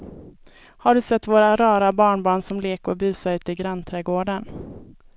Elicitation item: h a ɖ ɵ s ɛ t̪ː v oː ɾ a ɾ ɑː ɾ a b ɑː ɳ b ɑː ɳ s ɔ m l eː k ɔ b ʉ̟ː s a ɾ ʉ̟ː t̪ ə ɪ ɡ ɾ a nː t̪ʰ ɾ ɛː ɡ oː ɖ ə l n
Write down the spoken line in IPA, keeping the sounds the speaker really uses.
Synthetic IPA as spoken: h a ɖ ɵ s ɛ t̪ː v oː ɾ a ɾ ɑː ɾ a b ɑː ɳ b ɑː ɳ s ɔ m l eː k ɔ b ʉ̟ː s a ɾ ʉ̟ː t̪ ə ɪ ɡ ɾ a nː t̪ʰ ɾ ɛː ɡ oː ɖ ə n